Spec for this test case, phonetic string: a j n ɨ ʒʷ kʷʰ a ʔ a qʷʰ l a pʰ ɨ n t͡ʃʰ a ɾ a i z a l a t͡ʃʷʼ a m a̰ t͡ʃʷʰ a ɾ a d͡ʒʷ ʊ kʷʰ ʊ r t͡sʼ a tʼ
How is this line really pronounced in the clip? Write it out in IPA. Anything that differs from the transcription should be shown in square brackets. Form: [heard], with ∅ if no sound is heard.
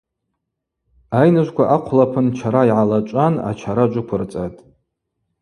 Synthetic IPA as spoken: a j n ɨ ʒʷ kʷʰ a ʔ a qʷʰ l a pʰ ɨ n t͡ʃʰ a ɾ a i [ʕ] a l a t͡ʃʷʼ a [n] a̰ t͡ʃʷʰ a ɾ a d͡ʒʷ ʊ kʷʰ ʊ r t͡sʼ a tʼ